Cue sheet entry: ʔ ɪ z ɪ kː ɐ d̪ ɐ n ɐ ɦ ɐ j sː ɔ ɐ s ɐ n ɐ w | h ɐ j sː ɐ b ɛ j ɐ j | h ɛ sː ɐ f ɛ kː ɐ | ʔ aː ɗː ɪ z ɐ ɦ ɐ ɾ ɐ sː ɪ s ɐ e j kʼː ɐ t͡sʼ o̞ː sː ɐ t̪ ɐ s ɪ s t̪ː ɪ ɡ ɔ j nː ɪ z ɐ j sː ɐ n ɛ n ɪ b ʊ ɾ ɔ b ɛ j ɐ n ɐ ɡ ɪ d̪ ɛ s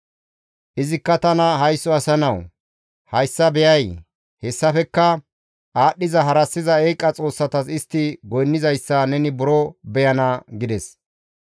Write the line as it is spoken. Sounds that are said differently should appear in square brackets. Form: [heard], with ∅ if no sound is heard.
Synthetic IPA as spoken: ʔ ɪ z ɪ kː ɐ [t̪] ɐ n ɐ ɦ ɐ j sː ɔ ɐ s ɐ n ɐ w | h ɐ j sː ɐ b ɛ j ɐ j | h ɛ sː ɐ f ɛ kː ɐ | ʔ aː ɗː ɪ z ɐ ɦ ɐ ɾ ɐ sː ɪ [z] ɐ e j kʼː ɐ t͡sʼ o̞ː sː ɐ t̪ ɐ s ɪ s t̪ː ɪ ɡ ɔ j nː ɪ z ɐ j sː ɐ n ɛ n ɪ b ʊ ɾ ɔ b ɛ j ɐ n ɐ ɡ ɪ d̪ ɛ s